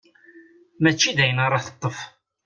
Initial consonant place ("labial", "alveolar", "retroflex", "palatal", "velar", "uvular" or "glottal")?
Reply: labial